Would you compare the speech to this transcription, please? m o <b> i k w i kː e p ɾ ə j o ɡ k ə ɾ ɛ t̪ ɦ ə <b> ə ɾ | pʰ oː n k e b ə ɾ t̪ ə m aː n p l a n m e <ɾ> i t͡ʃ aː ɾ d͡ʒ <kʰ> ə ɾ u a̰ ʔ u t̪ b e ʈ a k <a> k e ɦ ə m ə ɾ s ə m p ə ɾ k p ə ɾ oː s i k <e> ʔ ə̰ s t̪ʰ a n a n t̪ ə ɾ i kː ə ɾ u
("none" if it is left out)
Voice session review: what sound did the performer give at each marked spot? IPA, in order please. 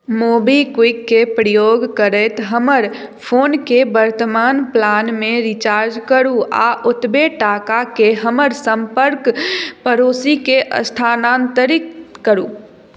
b, m, ɾ, k, a, e

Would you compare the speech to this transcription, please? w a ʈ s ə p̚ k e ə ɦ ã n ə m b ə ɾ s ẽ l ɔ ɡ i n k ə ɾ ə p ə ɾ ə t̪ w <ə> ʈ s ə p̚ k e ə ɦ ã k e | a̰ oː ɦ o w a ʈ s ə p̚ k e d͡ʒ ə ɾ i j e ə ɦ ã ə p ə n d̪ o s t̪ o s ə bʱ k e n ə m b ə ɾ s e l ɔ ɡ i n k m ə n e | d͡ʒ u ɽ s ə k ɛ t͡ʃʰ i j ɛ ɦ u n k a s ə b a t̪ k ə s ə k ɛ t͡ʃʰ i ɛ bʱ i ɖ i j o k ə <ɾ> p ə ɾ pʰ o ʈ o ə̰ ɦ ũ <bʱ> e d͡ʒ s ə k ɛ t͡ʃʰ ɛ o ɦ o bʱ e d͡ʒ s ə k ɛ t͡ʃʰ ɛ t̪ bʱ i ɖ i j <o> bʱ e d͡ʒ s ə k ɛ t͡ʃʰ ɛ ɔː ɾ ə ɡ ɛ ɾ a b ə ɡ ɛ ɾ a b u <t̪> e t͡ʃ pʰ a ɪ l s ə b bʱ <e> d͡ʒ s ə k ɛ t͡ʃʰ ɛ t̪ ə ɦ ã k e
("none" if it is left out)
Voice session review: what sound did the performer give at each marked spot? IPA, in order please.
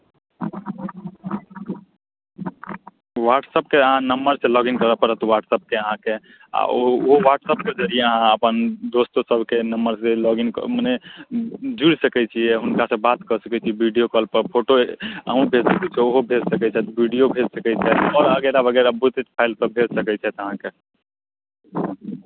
a, l, bʱ, o, t̪, e

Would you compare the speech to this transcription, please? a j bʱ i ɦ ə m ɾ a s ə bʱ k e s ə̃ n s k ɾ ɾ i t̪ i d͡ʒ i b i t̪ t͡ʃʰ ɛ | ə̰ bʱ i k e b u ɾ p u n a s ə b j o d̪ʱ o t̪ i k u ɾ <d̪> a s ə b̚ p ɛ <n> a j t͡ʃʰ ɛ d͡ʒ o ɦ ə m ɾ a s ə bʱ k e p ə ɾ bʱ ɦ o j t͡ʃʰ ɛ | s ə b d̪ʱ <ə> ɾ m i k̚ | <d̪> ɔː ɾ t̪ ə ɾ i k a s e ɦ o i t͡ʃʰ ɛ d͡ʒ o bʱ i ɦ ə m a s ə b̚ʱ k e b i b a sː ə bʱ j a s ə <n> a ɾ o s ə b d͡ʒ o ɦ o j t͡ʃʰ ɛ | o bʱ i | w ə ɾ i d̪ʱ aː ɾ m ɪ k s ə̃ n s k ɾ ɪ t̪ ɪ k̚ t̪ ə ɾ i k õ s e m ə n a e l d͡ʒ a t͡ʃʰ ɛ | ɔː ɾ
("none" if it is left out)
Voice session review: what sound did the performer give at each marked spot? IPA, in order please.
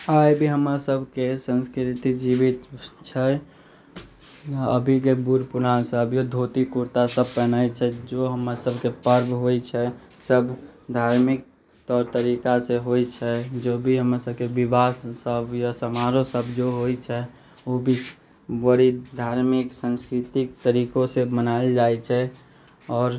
t̪, n, a, t̪, m

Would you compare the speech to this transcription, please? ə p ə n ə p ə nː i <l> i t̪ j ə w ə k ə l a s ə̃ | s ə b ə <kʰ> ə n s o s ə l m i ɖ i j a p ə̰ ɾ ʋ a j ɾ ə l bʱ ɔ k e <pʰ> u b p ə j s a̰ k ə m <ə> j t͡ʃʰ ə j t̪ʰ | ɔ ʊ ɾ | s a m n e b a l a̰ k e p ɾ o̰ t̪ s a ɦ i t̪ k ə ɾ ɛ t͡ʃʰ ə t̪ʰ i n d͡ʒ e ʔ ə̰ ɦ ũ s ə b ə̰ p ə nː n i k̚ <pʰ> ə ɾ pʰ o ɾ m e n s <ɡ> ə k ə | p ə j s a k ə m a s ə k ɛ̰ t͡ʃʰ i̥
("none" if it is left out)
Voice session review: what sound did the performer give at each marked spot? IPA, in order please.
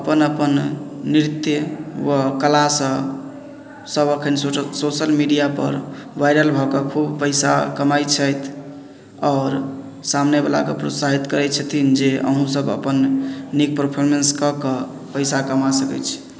ɾ, kʰ, kʰ, a, p, k

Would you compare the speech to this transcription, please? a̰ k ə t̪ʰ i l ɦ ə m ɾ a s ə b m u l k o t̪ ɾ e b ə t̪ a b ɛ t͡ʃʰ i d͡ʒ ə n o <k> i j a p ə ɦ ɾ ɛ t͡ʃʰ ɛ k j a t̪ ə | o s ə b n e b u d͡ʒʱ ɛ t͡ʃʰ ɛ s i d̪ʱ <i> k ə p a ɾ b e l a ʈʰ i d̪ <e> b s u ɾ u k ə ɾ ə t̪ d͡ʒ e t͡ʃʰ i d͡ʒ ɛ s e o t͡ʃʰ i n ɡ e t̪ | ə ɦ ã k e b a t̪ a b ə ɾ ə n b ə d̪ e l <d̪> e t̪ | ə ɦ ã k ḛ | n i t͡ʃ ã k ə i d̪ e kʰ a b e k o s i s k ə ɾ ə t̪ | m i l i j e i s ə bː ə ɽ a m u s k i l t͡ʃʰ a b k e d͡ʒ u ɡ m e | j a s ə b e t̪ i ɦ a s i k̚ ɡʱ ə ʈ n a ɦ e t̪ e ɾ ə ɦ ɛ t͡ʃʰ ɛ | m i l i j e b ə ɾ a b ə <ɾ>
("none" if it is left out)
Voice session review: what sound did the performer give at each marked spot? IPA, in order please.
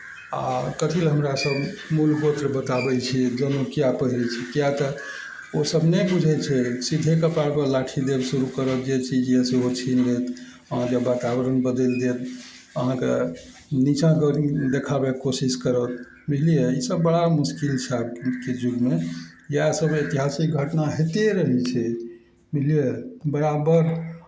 k, e, e, d̪, ɾ

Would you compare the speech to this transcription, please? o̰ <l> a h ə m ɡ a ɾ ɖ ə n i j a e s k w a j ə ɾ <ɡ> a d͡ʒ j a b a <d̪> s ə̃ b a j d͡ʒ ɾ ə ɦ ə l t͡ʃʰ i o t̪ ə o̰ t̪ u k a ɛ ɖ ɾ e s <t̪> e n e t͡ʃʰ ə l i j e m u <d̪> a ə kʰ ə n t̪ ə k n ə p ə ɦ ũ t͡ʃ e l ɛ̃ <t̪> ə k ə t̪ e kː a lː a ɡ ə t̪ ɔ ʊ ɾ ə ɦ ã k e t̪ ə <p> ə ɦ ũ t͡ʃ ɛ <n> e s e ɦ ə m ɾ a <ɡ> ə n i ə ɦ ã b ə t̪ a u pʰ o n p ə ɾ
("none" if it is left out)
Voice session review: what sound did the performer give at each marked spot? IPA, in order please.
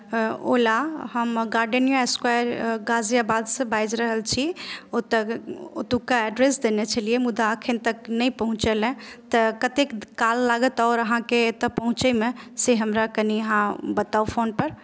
l, ɡ, d̪, d̪, d̪, t̪, p, m, k

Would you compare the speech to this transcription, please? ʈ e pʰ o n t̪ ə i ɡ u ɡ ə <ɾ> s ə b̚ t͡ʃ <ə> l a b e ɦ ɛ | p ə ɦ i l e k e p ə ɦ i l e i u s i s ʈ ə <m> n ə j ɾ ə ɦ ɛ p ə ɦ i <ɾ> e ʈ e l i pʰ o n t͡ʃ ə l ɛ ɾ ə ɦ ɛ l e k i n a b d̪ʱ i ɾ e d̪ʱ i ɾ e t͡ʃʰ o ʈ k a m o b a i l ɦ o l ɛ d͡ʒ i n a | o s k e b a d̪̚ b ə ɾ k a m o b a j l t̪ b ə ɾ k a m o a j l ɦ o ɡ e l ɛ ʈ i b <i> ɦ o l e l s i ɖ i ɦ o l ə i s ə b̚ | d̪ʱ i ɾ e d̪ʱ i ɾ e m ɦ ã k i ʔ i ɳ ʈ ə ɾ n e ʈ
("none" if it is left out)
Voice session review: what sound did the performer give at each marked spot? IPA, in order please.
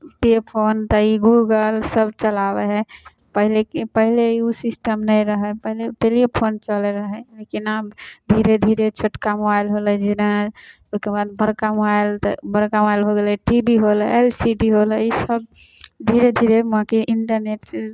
l, ə, m, l, i

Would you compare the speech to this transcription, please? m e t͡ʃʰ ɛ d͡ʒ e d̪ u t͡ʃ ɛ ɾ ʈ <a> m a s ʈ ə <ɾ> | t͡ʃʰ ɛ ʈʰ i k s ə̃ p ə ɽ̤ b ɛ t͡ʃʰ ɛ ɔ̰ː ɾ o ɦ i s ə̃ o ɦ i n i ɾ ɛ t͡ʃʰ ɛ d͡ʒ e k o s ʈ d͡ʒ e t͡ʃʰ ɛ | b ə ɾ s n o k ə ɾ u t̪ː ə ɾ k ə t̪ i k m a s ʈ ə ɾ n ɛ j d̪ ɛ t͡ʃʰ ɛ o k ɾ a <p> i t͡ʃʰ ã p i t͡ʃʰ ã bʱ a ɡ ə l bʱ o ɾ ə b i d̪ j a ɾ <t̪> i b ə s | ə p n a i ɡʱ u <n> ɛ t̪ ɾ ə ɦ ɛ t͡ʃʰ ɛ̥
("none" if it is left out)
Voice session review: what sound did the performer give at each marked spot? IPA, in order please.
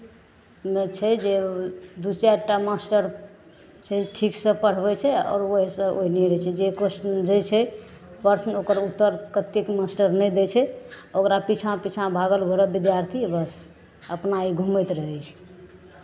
a, ɾ, p, t̪ʰ, m

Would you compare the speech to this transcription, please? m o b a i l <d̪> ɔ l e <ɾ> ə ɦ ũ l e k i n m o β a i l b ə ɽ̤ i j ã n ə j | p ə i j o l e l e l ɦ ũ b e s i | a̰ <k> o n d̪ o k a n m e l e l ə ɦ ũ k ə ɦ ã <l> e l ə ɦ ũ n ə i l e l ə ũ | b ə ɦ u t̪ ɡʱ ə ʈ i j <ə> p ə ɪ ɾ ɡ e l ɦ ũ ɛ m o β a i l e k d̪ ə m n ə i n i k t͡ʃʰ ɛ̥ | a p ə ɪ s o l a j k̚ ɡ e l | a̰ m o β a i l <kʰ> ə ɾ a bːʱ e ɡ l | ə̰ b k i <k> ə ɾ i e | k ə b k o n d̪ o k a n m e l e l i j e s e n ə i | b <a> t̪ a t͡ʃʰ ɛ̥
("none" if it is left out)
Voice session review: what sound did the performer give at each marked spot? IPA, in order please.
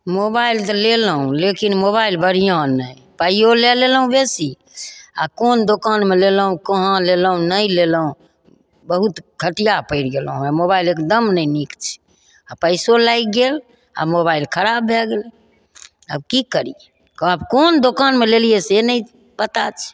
t̪, l, k, l, a, kʰ, k, ə

